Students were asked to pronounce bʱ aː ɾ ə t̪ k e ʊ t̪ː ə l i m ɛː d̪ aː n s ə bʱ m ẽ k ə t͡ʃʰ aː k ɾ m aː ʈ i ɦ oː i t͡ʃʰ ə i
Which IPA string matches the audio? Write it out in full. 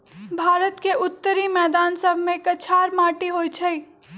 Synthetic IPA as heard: bʱ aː ɾ ə t̪ k e ʊ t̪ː ə ɾ i m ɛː d̪ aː n s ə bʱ m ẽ k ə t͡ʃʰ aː ɾ m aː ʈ i ɦ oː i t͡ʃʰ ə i